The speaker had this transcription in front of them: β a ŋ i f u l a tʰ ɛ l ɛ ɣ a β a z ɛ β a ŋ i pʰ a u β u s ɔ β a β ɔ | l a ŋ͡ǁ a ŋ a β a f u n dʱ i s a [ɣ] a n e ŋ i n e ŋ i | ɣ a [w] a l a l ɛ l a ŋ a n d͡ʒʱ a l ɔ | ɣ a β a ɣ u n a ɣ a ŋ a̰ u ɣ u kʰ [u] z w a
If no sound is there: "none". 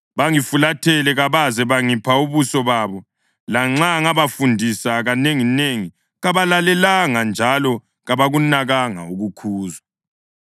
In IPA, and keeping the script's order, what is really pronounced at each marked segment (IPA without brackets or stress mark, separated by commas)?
ɣ, β, uː